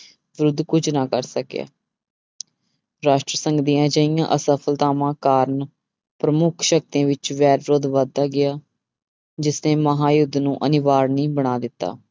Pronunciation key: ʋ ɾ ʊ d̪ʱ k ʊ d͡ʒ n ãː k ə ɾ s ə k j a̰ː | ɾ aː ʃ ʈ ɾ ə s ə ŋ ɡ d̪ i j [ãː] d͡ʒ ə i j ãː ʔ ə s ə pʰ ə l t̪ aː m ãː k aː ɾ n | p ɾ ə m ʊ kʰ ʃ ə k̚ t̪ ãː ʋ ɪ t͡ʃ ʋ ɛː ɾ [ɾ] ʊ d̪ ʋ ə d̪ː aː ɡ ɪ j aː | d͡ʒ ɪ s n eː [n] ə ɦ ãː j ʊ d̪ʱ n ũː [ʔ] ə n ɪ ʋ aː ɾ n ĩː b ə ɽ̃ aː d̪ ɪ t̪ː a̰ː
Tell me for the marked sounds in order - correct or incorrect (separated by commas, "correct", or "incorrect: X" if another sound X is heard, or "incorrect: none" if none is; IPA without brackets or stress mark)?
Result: correct, correct, incorrect: m, correct